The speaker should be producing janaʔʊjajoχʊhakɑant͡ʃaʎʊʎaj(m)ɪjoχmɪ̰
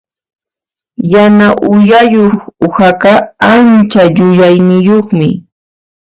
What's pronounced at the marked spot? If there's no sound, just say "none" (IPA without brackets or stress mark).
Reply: n